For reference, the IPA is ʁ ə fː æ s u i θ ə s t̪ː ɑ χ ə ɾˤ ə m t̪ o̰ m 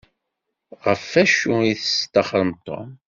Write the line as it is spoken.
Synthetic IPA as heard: ʁ ə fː æ ʃ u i θ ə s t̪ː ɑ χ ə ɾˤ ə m t̪ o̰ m